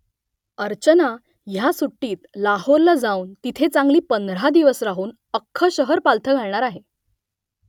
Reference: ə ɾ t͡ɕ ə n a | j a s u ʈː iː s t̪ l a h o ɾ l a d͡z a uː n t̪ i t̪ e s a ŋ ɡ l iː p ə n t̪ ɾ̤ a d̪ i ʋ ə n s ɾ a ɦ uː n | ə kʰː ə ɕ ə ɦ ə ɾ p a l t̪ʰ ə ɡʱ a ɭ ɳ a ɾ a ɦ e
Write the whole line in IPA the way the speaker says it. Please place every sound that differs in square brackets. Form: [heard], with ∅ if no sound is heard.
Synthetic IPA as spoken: ə ɾ t͡ɕ ə n a | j a s u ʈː iː [∅] t̪ l a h o ɾ l a d͡z a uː n t̪ i [t̪ʰ] e [t͡s] a ŋ ɡ l iː p ə n [d̪] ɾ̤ a d̪ i ʋ ə [∅] s ɾ a ɦ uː n | ə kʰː ə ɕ ə ɦ ə ɾ p a l t̪ʰ ə ɡʱ a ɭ ɳ a ɾ a ɦ e

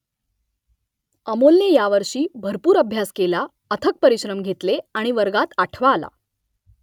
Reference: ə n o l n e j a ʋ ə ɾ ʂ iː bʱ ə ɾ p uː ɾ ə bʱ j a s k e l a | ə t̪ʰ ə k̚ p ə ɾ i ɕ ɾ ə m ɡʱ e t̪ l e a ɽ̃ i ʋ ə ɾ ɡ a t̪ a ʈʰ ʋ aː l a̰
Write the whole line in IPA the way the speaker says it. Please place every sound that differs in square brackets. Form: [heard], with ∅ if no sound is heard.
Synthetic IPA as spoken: ə [m] o l n e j a ʋ ə ɾ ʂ iː bʱ ə ɾ p uː ɾ ə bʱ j a s k e l a | ə t̪ʰ ə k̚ p ə ɾ i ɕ ɾ ə m ɡʱ e t̪ l e a ɽ̃ i ʋ ə ɾ ɡ a t̪ a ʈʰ ʋ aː l a̰

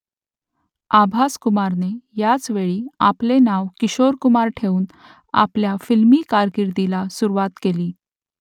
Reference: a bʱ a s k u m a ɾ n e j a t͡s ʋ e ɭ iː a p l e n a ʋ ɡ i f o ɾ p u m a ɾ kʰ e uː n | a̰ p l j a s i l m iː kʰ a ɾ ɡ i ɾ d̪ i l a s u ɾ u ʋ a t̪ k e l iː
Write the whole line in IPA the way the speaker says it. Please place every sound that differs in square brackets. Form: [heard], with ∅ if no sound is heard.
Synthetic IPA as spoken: a bʱ a s k u m a ɾ n e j a t͡s ʋ e ɭ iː a p l e n a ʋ [k] i [ɕ] o ɾ [k] u m a ɾ [ʈʰ] e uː n | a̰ p l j a [f] i l m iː [k] a ɾ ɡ i ɾ d̪ i l a s u ɾ u ʋ a t̪ k e l iː

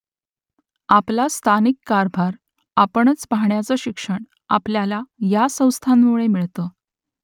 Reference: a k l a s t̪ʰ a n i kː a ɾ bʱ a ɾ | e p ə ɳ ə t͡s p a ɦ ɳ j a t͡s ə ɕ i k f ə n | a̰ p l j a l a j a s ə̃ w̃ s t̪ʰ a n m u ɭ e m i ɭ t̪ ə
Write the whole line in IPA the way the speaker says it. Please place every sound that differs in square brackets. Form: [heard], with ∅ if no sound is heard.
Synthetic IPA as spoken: a [p] l a s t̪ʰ a n i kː a ɾ bʱ a ɾ | [a] p ə ɳ ə t͡s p a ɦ ɳ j a t͡s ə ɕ i k [ʂ] ə [ɳ] | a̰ p l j a l a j a s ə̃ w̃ s t̪ʰ a n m u ɭ e m i ɭ t̪ ə

